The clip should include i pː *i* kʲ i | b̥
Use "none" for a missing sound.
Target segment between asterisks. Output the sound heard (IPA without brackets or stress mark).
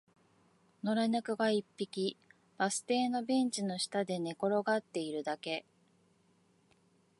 i